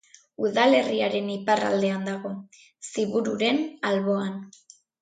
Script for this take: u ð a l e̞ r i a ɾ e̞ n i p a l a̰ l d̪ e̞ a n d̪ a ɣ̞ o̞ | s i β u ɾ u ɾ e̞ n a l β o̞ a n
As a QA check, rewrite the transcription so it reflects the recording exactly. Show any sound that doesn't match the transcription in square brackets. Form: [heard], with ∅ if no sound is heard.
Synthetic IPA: u ð a l e̞ r i a ɾ e̞ n i p a [r] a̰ l d̪ e̞ a n d̪ a ɣ̞ o̞ | s i β u ɾ u ɾ e̞ n a l β o̞ a n